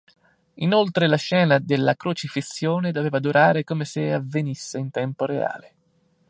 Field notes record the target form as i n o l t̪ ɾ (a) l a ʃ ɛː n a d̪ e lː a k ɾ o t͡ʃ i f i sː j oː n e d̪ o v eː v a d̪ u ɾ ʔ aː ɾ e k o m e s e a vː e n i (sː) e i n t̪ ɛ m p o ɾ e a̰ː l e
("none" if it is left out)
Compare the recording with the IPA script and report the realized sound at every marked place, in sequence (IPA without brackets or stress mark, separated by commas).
e, sː